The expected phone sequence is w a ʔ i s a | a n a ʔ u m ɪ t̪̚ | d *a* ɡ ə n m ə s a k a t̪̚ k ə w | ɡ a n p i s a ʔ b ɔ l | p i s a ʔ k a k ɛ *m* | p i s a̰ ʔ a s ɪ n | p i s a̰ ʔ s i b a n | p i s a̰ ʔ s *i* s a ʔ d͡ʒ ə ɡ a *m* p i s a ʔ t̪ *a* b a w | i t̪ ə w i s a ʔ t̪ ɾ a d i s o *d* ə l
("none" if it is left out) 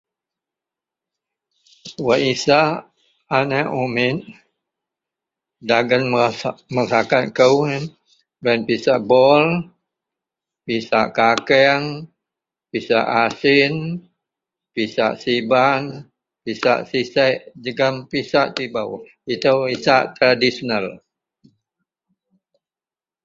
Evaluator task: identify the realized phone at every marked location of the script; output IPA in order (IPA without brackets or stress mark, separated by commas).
a, ŋ, i, m, i, n